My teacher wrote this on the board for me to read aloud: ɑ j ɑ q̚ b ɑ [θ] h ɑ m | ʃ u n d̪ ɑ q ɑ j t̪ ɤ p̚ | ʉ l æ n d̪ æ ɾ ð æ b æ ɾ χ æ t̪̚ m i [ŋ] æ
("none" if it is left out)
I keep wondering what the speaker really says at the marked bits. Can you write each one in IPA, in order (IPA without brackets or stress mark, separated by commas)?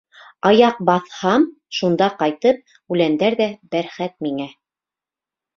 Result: θ, ŋ